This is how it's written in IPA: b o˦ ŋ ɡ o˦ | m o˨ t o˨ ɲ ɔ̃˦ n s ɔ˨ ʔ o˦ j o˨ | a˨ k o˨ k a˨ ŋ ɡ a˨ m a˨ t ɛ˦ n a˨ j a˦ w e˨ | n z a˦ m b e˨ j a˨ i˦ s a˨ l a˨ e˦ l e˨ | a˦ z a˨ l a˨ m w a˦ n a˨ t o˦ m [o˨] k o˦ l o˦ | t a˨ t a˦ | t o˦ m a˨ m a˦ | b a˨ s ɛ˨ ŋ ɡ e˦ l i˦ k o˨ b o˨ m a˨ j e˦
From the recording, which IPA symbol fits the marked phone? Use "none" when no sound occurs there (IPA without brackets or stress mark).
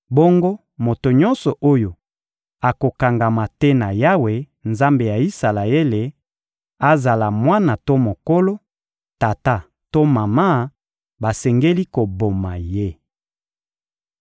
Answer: o˨